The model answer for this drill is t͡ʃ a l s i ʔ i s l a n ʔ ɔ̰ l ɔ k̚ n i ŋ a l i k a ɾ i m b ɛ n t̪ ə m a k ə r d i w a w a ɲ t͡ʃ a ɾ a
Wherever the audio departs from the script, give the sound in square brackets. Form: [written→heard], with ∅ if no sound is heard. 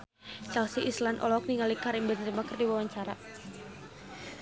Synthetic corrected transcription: t͡ʃ a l s i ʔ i s l a n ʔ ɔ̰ l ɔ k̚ n i ŋ a l i k a ɾ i m b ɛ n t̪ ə m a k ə r d i w a w a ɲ t͡ʃ a ɾ a